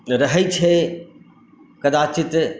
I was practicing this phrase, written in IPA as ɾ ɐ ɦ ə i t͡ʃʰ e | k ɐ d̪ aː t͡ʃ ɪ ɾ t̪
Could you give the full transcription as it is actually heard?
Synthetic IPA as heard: ɾ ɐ ɦ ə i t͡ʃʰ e | k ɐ d̪ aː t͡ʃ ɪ t̪

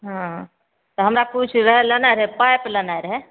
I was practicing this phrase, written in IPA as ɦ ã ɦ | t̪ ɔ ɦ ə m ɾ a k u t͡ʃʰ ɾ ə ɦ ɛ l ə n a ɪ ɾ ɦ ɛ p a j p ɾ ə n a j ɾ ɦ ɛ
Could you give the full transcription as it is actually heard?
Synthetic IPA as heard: ɦ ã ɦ | t̪ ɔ ɦ ə m ɾ a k u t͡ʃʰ ɾ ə ɦ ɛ l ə n a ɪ ɾ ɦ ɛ p a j p l ə n a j ɾ ɦ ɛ

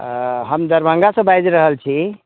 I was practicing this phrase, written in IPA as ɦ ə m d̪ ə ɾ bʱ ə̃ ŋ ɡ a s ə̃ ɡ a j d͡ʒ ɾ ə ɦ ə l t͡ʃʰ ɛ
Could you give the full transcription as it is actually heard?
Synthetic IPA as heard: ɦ ə m d̪ ə ɾ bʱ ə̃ ŋ ɡ a s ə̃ b a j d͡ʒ ɾ ə ɦ ə l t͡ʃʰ i

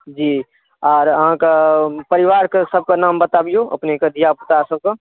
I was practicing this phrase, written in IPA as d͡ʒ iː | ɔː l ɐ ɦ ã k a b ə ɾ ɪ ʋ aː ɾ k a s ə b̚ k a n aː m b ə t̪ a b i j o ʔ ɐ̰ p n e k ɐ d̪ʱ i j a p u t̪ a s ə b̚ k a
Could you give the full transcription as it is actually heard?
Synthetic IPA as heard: d͡ʒ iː | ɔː ɾ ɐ ɦ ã k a p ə ɾ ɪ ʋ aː ɾ k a s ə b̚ k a n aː m b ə t̪ a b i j o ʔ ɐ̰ p n e k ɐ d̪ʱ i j a p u t̪ a s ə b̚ k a

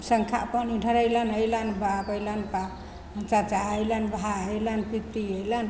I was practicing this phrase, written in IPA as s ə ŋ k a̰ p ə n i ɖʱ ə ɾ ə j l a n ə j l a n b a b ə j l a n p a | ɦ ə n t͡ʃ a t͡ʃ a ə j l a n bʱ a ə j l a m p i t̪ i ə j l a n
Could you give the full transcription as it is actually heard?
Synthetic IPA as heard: s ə ŋ kʰ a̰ p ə n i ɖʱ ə ɾ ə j l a n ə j l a n b a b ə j l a n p a | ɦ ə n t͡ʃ a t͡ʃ a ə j l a n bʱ a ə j l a n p i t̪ i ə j l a n

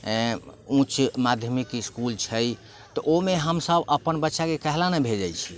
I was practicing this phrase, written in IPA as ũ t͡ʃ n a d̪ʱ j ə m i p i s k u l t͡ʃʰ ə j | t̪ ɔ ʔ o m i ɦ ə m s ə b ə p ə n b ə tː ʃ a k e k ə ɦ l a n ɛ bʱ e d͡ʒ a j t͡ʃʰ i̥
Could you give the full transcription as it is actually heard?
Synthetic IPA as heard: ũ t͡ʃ m a d̪ʱ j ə m i k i s k u l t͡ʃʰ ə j | t̪ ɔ ʔ o m e ɦ ə m s ə b ə p ə n b ə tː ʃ a k e k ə ɦ l a n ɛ bʱ e d͡ʒ a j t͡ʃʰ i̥

